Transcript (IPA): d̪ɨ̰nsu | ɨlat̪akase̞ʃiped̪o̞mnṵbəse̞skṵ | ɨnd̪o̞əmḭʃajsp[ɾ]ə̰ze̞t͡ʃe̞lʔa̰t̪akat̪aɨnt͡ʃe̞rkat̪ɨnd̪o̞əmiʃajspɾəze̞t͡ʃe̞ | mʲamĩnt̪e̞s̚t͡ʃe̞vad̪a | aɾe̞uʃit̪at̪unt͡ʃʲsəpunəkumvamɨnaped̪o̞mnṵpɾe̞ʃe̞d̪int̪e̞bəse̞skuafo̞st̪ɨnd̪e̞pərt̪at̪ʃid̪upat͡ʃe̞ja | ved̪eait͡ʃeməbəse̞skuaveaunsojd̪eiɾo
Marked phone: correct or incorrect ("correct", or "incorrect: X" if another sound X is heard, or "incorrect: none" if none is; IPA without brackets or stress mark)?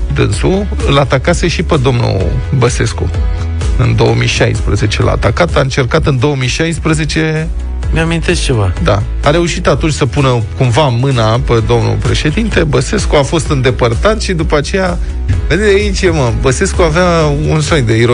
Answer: correct